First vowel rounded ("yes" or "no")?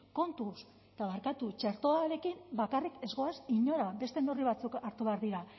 yes